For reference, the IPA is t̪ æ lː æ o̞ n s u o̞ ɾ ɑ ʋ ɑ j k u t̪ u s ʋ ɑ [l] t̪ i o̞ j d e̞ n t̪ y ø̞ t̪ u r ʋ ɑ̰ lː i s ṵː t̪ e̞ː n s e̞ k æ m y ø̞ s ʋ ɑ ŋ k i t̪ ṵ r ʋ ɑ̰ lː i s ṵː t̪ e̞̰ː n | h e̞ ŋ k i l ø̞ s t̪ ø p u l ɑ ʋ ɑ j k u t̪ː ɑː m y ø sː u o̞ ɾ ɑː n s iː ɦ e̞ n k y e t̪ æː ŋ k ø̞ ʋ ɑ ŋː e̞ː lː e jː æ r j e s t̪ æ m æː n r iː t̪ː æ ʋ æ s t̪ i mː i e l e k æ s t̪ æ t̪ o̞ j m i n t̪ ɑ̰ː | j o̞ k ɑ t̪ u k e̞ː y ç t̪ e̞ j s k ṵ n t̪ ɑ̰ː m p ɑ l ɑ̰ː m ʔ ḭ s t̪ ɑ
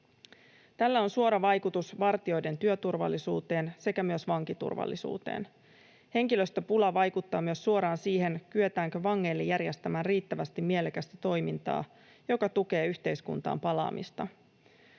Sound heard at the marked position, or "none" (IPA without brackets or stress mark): r